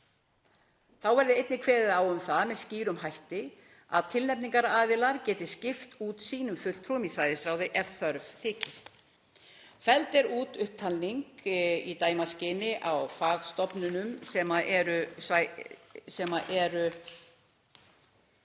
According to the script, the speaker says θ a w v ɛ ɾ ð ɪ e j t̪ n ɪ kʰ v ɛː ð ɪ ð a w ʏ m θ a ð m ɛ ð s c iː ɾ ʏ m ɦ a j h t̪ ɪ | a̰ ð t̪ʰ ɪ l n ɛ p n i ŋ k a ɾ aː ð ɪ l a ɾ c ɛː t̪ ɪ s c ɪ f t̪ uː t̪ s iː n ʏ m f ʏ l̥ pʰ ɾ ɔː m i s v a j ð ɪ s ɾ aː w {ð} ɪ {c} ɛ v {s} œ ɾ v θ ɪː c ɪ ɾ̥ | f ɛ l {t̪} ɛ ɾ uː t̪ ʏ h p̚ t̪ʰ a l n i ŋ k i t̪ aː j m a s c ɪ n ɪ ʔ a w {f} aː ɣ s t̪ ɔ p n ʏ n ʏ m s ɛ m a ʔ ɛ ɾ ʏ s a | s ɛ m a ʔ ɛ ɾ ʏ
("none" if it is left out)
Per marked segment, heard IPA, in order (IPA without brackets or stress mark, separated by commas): ð, ʔ, θ, t̪, f